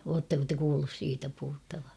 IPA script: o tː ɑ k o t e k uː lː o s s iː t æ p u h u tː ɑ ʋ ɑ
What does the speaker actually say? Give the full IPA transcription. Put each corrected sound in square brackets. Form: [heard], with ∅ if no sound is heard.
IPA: [oː] tː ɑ k o t e k uː lː [u] s s iː t æ p u h u tː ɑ ʋ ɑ